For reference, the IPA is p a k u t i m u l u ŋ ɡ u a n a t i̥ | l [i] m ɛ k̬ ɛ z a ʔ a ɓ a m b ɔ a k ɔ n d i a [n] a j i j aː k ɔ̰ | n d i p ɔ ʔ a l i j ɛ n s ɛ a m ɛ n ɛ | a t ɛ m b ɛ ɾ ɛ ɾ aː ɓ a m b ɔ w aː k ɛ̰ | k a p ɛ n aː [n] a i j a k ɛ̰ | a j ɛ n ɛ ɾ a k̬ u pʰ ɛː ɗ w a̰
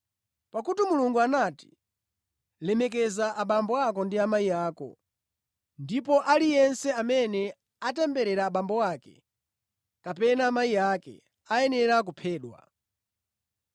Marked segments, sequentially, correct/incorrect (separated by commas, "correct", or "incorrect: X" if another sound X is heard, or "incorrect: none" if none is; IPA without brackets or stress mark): incorrect: ɛ, incorrect: m, incorrect: m